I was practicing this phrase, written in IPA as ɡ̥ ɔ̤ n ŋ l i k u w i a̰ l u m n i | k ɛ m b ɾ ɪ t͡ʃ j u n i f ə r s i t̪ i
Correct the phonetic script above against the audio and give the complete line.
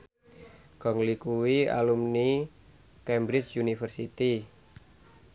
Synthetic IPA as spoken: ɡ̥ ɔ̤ ŋ l i k u w i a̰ l u m n i | k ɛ m b ɾ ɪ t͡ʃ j u n i f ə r s i t̪ i